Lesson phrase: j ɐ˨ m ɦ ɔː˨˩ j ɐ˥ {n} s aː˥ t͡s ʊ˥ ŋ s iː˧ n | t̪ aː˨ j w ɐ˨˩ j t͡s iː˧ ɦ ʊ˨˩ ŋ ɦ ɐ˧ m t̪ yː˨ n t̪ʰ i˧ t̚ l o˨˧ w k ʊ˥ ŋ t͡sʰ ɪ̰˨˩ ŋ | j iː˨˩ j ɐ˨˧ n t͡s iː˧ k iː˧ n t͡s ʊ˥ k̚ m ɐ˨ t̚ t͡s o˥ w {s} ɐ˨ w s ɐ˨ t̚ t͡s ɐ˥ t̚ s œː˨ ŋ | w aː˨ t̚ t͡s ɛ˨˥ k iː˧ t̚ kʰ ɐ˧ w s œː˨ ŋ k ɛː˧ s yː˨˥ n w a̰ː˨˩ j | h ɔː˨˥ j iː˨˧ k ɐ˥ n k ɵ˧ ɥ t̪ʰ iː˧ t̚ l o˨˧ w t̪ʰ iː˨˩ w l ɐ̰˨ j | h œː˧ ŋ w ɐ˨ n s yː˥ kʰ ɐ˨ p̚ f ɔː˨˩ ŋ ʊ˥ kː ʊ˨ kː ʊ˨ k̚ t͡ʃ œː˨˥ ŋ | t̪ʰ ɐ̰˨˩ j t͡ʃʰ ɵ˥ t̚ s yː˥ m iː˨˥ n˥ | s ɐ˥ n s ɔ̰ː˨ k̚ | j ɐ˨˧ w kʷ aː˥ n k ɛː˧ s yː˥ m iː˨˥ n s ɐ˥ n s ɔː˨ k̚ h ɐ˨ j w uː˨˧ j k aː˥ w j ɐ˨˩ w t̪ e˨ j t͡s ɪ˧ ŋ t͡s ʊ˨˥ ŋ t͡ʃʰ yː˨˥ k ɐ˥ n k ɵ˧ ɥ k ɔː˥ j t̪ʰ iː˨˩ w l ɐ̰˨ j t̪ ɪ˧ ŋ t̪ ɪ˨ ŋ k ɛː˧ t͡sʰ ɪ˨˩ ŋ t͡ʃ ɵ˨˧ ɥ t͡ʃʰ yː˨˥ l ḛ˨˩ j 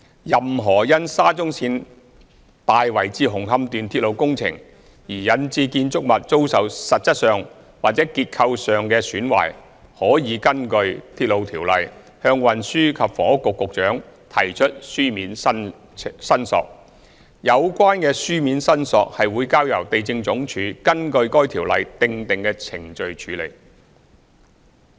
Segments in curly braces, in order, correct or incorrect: correct, correct

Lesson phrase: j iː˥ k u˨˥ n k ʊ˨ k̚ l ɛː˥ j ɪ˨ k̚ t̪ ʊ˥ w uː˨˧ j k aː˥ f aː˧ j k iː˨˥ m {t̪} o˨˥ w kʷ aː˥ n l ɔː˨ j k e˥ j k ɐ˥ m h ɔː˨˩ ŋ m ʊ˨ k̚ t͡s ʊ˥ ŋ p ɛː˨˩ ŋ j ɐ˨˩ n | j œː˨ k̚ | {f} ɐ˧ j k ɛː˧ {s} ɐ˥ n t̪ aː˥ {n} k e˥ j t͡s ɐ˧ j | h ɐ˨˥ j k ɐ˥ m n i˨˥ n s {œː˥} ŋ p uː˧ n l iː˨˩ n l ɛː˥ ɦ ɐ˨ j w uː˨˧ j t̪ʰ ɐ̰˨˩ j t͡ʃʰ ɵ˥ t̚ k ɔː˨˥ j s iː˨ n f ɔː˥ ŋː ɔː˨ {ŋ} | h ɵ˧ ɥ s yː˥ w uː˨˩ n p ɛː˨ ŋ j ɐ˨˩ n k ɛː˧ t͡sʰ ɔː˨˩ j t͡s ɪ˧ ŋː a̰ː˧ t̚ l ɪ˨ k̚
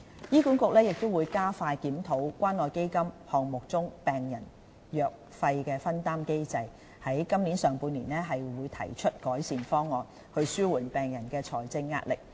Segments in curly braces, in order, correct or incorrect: incorrect: t̪ʰ, correct, incorrect: f, incorrect: m, incorrect: œː˨˩, incorrect: n

